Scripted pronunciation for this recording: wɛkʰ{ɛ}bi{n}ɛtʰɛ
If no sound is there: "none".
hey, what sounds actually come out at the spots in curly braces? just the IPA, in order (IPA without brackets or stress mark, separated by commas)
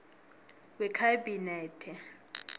a, n